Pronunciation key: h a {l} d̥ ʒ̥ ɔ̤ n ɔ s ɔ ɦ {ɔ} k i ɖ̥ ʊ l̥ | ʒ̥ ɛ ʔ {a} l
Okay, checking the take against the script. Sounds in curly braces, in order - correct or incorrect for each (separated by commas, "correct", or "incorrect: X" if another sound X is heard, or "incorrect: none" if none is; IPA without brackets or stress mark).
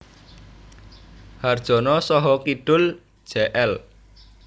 incorrect: r, correct, incorrect: ɛ